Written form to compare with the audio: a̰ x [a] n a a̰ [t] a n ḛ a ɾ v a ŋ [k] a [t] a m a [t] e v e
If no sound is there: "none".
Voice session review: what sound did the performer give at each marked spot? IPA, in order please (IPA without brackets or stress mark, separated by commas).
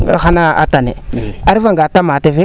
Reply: a, t, ɡ, t, t